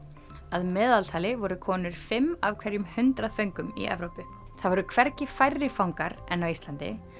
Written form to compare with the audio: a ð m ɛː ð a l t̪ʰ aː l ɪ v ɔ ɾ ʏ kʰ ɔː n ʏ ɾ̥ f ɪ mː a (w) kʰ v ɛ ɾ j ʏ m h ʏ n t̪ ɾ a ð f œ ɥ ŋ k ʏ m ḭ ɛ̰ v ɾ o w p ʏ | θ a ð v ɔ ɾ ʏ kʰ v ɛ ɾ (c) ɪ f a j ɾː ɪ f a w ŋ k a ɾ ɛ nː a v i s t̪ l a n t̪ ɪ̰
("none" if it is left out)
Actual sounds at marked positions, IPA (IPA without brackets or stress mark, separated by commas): v, c